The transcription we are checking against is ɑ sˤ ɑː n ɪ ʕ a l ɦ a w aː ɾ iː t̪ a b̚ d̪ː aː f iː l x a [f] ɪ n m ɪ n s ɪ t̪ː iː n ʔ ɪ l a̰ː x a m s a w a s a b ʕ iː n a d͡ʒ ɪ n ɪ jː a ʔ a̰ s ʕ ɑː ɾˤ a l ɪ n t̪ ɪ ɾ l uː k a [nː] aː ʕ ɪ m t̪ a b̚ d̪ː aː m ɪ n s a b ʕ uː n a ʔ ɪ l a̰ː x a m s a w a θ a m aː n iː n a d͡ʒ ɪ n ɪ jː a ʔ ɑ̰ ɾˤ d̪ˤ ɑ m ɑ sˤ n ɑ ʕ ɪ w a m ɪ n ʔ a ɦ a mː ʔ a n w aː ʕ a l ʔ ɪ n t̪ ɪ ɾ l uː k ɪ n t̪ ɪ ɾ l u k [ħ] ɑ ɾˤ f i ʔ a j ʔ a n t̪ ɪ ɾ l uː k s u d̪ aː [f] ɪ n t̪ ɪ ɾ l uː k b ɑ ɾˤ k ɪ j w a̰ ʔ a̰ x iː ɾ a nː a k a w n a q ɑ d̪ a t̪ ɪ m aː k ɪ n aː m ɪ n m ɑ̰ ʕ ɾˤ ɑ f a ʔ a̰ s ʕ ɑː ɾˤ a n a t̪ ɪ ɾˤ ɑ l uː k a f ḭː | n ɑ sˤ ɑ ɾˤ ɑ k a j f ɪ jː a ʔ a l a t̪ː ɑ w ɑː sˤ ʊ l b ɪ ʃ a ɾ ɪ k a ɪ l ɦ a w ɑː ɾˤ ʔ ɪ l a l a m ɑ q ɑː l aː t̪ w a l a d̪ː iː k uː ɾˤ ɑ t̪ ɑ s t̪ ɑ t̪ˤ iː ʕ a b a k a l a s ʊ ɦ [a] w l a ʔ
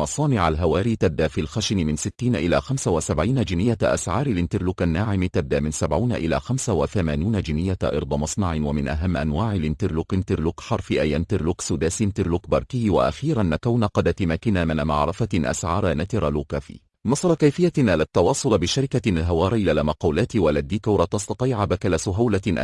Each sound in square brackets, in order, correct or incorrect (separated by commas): incorrect, correct, correct, incorrect, correct